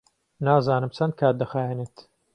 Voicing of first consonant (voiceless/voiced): voiced